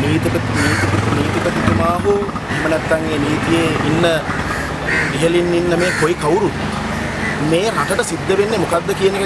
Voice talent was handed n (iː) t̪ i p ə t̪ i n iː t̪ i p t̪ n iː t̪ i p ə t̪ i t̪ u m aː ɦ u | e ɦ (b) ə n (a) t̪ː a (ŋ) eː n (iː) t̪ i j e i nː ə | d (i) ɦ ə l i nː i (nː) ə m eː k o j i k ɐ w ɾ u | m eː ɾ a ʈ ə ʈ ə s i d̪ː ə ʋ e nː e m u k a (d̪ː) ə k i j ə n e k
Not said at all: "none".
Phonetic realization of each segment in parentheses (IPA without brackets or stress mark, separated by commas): iː, m, ɛ, ŋ, iː, i, nː, d̪ː